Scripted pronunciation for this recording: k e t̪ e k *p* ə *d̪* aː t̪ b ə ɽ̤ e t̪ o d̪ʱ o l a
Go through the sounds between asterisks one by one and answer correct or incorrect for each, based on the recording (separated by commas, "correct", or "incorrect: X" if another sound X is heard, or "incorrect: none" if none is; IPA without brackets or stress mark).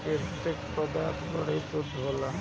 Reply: correct, correct